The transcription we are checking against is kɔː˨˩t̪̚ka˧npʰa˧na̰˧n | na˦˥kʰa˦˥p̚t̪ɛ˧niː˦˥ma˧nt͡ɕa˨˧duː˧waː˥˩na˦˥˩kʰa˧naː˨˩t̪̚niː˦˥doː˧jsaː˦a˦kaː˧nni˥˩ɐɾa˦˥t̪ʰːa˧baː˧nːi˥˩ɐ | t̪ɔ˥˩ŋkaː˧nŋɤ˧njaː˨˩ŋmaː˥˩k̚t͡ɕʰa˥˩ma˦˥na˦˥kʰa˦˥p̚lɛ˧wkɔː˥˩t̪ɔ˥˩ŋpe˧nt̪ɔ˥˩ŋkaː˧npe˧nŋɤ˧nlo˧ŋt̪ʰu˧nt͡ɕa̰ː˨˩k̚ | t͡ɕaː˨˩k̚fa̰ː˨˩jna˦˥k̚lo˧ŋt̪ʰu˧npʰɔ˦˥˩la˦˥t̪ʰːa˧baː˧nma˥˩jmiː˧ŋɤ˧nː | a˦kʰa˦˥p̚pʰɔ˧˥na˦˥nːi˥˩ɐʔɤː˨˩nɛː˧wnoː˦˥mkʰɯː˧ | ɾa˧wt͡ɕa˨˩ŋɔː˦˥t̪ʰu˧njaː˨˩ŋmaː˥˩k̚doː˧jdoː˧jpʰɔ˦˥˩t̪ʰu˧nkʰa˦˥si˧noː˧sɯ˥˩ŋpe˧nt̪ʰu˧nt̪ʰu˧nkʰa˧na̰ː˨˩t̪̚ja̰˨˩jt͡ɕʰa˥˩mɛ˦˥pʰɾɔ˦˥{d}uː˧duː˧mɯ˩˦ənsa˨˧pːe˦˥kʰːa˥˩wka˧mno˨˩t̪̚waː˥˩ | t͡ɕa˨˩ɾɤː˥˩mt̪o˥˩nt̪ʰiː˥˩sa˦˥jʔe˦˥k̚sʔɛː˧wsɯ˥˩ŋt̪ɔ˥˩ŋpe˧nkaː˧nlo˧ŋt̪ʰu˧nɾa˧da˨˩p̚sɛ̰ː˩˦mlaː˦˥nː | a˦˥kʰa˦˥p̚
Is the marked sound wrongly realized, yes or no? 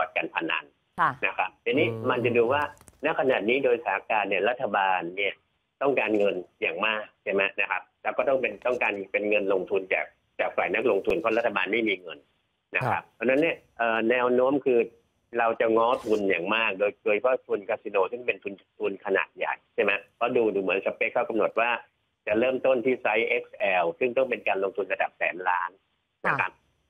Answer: no